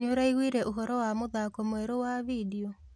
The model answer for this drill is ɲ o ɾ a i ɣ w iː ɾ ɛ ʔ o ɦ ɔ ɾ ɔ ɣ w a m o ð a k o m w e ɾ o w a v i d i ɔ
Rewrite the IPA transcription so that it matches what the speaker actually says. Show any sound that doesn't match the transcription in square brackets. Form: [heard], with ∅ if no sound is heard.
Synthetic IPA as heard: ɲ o ɾ a i ɣ w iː ɾ ɛ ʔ o ɦ ɔ ɾ ɔ [∅] w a m o ð a k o m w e ɾ o w a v i d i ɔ